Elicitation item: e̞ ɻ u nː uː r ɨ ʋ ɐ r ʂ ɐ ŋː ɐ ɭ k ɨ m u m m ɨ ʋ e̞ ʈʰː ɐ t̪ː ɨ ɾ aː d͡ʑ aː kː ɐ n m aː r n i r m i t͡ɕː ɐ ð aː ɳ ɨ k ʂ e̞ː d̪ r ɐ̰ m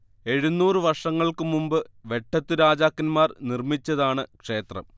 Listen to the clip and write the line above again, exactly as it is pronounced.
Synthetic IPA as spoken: e̞ ɻ u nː uː r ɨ ʋ ɐ r ʂ ɐ ŋː ɐ ɭ k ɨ m u m b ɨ ʋ e̞ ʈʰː ɐ t̪ː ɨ ɾ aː d͡ʑ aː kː ɐ n m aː r n i r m i t͡ɕː ɐ ð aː ɳ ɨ k ʂ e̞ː t̪ r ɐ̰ m